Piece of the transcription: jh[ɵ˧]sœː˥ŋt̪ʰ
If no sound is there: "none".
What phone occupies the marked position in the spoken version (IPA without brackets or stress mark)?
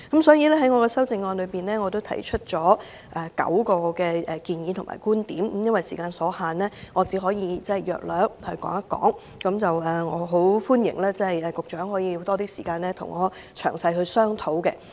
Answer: ɵ˧